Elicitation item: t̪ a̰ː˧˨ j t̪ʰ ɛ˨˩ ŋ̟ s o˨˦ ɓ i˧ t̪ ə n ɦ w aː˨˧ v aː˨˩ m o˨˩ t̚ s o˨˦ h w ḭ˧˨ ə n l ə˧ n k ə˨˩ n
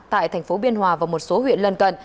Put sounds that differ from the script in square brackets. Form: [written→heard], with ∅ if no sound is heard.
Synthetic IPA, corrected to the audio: t̪ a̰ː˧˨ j t̪ʰ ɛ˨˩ ŋ̟ [s→f] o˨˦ ɓ i˧ [t̪→∅] ə n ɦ w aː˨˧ v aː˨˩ m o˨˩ t̚ s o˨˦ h w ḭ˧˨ ə n l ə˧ n k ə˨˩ n